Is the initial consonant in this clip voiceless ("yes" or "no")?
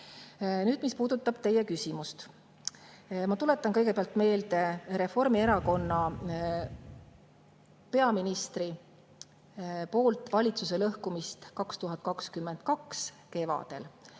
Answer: no